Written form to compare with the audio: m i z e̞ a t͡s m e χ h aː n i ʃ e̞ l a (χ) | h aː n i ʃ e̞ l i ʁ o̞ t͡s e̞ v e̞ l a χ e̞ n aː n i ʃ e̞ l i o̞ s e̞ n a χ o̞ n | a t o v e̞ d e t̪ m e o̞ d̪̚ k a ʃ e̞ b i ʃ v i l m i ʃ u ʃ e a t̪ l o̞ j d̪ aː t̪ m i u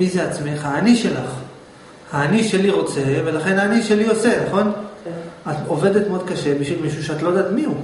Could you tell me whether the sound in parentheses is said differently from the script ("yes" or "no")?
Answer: no